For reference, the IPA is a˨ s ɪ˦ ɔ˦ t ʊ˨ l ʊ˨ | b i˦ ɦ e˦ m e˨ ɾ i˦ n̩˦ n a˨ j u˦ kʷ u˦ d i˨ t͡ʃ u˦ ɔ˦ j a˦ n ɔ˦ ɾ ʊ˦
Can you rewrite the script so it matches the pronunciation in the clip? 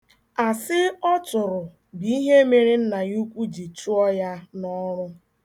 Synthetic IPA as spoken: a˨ s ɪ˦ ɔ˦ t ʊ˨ ɾ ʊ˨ | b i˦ ɦ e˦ m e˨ ɾ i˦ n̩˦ n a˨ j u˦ kʷ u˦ d͡ʒ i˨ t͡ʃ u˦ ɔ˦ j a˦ n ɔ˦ ɾ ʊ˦